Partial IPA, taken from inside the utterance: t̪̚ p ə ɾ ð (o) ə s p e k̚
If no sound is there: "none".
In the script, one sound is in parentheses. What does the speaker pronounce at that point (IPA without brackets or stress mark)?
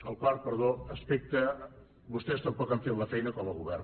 o